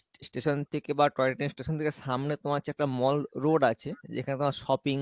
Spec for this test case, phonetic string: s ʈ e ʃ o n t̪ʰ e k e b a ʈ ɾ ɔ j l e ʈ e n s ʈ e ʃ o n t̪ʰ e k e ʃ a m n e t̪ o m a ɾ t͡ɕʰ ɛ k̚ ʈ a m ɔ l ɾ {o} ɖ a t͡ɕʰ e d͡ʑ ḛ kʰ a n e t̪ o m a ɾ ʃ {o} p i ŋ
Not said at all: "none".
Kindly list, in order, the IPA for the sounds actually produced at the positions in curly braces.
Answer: o, ɔ

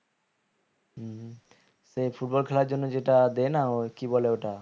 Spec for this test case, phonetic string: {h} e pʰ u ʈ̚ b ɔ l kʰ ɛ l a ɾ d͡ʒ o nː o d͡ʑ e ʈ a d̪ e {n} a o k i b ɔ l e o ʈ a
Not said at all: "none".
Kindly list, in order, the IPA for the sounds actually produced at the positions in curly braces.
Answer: s, n

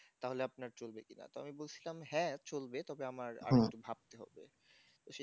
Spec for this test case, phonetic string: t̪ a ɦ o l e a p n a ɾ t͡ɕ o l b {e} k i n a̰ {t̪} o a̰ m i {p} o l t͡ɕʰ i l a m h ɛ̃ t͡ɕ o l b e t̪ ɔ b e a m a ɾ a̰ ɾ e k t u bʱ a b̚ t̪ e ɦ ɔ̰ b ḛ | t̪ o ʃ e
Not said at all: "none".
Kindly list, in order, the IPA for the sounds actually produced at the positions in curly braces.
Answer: e, t̪, b

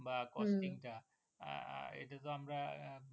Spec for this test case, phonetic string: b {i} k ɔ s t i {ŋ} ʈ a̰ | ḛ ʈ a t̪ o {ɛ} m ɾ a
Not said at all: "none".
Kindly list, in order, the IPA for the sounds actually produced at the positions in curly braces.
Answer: a, ŋ, a

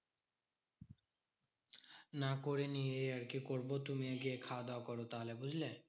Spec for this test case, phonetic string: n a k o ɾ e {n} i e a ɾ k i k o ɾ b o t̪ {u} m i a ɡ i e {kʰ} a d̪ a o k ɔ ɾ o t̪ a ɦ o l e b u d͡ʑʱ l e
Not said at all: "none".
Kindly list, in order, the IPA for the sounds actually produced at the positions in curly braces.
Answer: n, u, kʰ

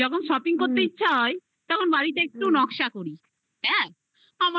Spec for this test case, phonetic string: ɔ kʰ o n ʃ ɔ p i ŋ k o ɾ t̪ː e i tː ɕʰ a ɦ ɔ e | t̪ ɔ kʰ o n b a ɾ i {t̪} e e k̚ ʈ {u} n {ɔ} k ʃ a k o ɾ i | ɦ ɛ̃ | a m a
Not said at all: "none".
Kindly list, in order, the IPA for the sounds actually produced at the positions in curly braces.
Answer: t̪, u, ɔ

